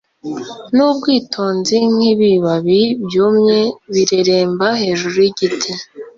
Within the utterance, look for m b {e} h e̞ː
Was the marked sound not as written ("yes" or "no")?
yes